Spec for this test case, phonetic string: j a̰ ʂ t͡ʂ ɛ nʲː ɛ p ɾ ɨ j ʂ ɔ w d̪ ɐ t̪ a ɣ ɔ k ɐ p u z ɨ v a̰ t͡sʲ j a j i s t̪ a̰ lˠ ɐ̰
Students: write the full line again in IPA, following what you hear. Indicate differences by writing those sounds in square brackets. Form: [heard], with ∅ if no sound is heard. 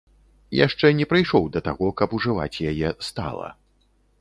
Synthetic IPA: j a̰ ʂ t͡ʂ ɛ [nʲ] ɛ p ɾ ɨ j ʂ ɔ w d̪ ɐ t̪ a ɣ ɔ k ɐ p u [ʐ] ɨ v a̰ t͡sʲ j a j [ɛ] s t̪ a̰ lˠ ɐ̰

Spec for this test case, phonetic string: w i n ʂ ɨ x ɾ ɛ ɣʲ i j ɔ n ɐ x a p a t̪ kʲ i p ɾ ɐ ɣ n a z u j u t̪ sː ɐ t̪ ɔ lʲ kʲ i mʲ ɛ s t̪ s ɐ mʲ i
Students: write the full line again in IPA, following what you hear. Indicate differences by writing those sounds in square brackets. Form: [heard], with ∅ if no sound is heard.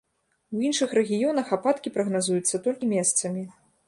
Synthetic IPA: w i n ʂ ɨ x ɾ ɛ ɣʲ i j ɔ n ɐ x a p a t̪ kʲ i p ɾ ɐ ɣ n a z u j u t̪ sː ɐ t̪ ɔ lʲ kʲ i mʲ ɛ s t̪ s ɐ mʲ i

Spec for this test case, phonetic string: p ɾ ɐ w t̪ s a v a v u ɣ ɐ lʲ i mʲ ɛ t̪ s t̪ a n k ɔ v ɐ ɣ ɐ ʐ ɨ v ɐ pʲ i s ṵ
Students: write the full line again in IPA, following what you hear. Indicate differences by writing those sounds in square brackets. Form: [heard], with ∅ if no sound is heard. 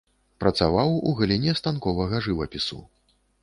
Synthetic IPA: p ɾ ɐ [∅] t̪ s a v a [w] u ɣ ɐ lʲ i [nʲ] ɛ [∅] s t̪ a n k ɔ v ɐ ɣ ɐ ʐ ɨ v ɐ pʲ i s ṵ

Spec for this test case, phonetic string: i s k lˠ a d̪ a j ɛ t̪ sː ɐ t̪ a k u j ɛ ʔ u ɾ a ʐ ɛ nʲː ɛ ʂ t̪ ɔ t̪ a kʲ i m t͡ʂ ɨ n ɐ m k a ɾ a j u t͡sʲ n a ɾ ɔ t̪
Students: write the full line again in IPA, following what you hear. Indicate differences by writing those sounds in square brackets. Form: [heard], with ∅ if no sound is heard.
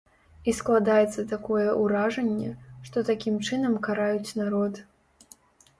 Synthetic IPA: i s k lˠ a d̪ a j ɛ t̪ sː ɐ t̪ a k [ɔ] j ɛ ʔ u ɾ a ʐ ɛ nʲː ɛ ʂ t̪ ɔ t̪ a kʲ i m t͡ʂ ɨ n ɐ m k a ɾ a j u t͡sʲ n a ɾ ɔ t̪

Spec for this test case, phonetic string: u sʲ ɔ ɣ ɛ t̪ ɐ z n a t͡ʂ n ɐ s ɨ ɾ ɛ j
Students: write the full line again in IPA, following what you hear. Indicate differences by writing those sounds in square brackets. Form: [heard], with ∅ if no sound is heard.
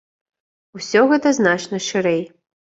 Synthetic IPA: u sʲ ɔ ɣ ɛ t̪ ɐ z n a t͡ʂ n ɐ [ʂ] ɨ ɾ ɛ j

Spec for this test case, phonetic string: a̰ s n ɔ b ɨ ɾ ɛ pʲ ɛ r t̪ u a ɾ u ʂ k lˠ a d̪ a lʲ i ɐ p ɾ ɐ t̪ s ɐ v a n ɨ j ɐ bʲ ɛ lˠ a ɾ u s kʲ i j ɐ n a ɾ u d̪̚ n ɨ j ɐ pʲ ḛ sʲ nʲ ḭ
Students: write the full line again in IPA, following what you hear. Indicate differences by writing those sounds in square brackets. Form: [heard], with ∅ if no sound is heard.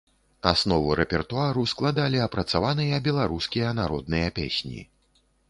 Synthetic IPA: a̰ s n ɔ [v] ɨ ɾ ɛ pʲ ɛ r t̪ u a ɾ u [s] k lˠ a d̪ a lʲ i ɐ p ɾ ɐ t̪ s [a] v a n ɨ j ɐ bʲ ɛ lˠ a ɾ u s kʲ i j ɐ n a ɾ [ɔ] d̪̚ n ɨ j ɐ pʲ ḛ sʲ nʲ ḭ

